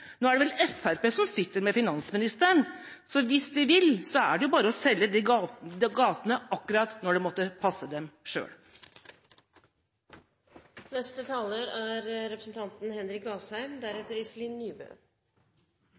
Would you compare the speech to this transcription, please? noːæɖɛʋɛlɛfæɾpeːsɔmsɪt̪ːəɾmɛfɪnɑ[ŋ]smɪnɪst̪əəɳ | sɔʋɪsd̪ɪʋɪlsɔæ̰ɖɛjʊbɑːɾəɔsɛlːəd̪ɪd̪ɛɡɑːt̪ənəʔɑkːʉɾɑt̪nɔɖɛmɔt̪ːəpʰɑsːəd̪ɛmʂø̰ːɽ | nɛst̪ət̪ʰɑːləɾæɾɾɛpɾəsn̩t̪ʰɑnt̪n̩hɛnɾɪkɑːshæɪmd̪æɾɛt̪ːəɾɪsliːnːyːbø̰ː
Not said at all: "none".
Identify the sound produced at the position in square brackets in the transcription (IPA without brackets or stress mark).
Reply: n